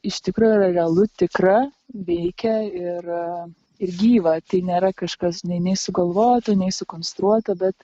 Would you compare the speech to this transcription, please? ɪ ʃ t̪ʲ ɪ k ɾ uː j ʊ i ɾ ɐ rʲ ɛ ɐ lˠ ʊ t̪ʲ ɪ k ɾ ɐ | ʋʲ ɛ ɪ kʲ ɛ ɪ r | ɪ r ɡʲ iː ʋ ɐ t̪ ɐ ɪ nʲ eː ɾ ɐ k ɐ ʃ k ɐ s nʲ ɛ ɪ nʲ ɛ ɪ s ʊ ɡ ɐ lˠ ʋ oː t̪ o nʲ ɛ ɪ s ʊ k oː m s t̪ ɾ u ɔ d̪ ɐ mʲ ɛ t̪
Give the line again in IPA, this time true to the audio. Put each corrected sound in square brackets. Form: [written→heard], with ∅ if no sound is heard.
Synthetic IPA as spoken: ɪ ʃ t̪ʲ ɪ k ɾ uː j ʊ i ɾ ɐ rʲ ɛ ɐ lˠ ʊ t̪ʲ ɪ k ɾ ɐ | ʋʲ ɛ ɪ kʲ ɛ ɪ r | ɪ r ɡʲ iː ʋ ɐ t̪ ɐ ɪ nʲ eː ɾ ɐ k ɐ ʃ k ɐ s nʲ ɛ ɪ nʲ ɛ ɪ s ʊ ɡ ɐ lˠ ʋ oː t̪ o nʲ ɛ ɪ s ʊ k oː [m→n] s t̪ ɾ u ɔ [d̪→t̪] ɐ [mʲ→bʲ] ɛ t̪